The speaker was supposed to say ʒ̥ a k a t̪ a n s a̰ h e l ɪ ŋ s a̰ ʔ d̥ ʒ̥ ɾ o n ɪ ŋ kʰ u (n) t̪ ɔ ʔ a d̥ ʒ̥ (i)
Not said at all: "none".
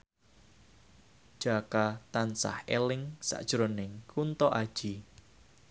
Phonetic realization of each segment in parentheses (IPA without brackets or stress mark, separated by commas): n, i